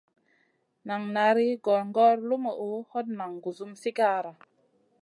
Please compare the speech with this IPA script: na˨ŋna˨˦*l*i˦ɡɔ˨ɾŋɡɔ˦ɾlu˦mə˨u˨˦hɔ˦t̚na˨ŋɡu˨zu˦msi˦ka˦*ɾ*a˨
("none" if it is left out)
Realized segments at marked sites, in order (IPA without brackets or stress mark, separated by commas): ɾ, ɾ